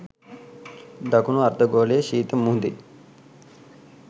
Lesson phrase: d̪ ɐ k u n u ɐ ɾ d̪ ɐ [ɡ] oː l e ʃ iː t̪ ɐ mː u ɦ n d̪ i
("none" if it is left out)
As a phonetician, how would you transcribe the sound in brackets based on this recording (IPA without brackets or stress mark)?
ɡ